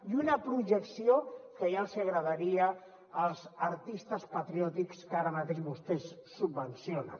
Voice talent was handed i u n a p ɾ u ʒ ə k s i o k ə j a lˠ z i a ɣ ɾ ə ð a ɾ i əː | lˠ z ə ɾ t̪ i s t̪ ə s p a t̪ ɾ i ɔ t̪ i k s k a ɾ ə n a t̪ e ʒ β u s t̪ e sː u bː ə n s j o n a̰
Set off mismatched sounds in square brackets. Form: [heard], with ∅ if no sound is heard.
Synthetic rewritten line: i u n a p ɾ u ʒ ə k s i o k ə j a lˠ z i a ɣ ɾ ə ð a ɾ i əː | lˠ z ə ɾ t̪ i s t̪ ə s p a t̪ ɾ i ɔ t̪ i k s k a ɾ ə [m] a t̪ e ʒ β u s t̪ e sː u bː ə n s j o n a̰